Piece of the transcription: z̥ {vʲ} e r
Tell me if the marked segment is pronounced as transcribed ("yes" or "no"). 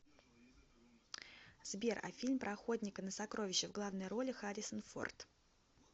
no